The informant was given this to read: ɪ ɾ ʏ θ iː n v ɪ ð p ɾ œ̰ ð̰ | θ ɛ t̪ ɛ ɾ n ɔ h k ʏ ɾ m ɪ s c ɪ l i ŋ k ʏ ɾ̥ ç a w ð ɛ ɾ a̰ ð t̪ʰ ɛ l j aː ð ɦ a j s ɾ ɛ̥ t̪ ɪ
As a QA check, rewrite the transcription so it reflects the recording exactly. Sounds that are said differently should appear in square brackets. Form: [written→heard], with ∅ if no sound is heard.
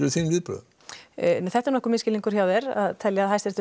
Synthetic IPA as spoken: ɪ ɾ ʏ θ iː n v ɪ ð p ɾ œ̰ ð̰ | θ ɛ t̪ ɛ ɾ n ɔ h k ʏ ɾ m ɪ s c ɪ l i ŋ k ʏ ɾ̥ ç a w ð ɛ ɾ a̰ ð t̪ʰ ɛ l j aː ð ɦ a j s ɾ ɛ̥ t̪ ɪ